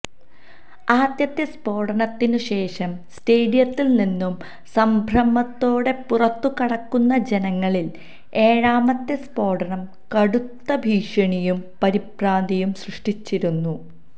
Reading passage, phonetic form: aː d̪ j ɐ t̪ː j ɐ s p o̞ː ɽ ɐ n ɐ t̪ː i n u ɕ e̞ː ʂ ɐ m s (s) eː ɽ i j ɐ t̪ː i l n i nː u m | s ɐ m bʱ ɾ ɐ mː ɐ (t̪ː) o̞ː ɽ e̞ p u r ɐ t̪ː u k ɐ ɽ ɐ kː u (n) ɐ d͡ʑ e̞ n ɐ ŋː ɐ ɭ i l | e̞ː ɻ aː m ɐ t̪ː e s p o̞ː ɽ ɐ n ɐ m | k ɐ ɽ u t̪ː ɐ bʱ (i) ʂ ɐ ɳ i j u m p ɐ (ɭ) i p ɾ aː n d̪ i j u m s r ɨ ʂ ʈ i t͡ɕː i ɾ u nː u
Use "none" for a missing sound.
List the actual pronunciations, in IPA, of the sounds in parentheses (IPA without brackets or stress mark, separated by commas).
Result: t, t̪ː, nː, iː, ɾ